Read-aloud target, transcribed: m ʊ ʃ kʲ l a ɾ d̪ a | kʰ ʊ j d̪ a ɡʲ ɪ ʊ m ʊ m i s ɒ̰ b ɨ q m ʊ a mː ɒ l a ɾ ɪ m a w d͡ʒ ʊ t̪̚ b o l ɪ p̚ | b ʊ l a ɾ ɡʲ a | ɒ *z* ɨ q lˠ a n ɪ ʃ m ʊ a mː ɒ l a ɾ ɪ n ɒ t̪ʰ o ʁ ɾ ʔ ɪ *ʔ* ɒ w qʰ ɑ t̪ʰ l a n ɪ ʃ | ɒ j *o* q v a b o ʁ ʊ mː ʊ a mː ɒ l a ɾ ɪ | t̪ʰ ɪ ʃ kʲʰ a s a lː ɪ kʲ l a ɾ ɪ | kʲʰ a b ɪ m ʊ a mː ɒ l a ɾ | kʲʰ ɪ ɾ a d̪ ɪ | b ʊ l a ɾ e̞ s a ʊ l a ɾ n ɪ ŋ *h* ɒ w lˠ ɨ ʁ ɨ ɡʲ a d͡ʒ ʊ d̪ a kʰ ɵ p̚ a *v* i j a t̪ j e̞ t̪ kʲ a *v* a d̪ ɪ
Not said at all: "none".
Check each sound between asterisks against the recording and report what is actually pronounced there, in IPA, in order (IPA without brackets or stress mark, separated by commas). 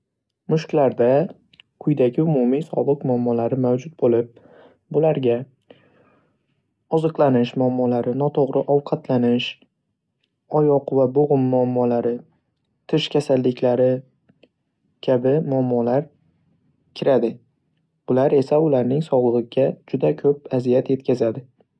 z, ʔ, ɒ, s, z, z